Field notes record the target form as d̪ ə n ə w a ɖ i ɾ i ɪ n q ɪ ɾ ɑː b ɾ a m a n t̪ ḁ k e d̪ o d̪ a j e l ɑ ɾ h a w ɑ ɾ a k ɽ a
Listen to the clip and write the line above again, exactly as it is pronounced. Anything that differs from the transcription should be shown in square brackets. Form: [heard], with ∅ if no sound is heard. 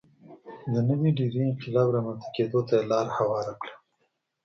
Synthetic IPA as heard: d̪ ə n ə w [i] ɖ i ɾ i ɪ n q ɪ [l] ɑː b ɾ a m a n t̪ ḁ k e d̪ o [t̪] a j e l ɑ ɾ h a w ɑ ɾ a k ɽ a